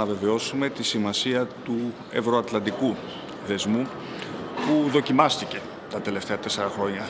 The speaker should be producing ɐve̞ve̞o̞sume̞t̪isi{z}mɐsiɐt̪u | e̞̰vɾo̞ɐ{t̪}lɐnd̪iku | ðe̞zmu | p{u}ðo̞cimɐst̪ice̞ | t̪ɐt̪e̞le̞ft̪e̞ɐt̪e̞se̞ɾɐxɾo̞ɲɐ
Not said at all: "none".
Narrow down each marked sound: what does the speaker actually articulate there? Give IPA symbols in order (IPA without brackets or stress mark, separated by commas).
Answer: none, t̪, u